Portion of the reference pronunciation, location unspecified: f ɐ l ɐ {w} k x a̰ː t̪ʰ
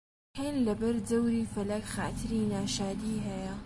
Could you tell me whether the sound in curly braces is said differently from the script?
yes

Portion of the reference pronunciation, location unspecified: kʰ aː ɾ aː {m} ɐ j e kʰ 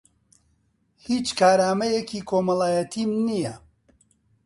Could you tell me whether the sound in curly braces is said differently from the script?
no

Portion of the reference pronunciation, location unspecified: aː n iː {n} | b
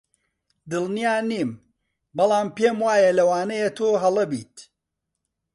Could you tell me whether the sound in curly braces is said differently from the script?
yes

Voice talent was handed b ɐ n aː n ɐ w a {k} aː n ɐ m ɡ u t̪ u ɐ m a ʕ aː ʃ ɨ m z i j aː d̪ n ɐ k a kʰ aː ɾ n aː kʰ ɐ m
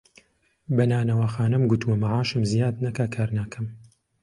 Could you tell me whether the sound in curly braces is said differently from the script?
yes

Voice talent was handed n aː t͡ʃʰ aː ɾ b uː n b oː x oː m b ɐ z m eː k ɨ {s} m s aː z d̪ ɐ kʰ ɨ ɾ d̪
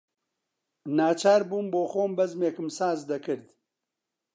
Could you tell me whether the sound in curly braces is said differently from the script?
yes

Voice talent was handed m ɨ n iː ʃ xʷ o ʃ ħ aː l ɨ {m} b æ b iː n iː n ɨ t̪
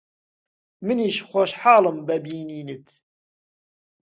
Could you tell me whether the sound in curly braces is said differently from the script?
no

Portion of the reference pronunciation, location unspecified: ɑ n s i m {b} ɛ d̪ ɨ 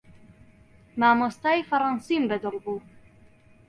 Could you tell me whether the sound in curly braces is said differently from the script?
no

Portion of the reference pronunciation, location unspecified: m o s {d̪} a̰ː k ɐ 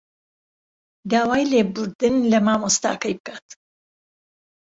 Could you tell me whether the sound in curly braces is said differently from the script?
yes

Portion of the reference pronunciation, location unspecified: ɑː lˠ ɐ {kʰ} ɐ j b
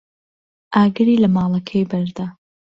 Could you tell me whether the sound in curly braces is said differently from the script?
no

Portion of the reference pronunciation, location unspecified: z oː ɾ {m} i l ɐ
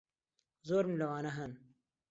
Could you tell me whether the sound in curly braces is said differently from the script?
no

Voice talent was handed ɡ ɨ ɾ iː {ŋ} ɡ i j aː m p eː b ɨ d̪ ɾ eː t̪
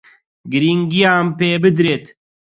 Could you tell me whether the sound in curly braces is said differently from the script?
no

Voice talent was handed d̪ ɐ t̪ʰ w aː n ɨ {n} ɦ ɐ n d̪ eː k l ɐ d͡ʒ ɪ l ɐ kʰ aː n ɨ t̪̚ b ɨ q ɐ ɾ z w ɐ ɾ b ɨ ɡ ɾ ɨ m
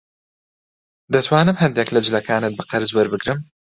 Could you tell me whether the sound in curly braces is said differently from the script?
yes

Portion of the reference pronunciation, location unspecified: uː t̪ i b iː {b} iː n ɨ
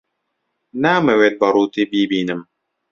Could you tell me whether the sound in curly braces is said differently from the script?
no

